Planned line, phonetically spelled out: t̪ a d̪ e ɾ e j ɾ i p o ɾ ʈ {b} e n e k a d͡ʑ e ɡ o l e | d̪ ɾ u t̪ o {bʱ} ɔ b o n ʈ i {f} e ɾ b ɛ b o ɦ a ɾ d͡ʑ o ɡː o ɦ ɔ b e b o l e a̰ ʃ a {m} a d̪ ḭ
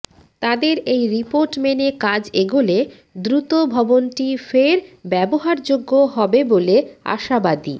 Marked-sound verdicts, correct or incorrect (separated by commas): incorrect, correct, correct, incorrect